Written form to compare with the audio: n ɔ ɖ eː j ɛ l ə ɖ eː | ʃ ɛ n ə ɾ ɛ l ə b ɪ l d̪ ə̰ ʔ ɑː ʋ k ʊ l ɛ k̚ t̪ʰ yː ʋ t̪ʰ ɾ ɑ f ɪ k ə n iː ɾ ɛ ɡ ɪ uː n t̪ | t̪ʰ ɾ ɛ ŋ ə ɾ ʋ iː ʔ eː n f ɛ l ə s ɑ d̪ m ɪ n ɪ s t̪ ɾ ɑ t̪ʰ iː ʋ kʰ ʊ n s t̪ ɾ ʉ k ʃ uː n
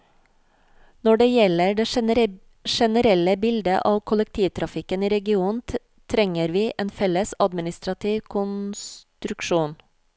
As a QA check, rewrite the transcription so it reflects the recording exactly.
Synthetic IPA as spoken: n ɔ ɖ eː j ɛ l ə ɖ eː | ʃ ɛ n ə ɾ ɛ l ə b ɪ l d̪ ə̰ ʔ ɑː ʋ kʰ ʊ l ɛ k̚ t̪ʰ iː ʋ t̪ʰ ɾ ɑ f ɪ k ə n iː ɾ ɛ ɡ ɪ uː n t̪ | t̪ʰ ɾ ɛ ŋ ə ɾ ʋ iː ʔ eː n f ɛ l ə s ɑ d̪ m ɪ n ɪ s t̪ ɾ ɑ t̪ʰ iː ʋ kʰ ʊ n s t̪ ɾ ʉ k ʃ uː n